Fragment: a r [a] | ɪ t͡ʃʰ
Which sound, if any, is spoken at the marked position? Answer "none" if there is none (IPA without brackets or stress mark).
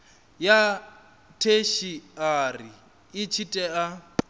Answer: i